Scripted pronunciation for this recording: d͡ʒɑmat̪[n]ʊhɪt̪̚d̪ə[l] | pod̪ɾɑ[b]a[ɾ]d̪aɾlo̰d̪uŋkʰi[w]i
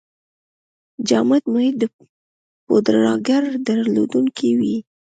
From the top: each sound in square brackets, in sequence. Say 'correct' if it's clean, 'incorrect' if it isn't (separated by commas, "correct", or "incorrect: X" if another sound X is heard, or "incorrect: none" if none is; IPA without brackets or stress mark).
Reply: incorrect: m, incorrect: none, incorrect: ɡ, correct, correct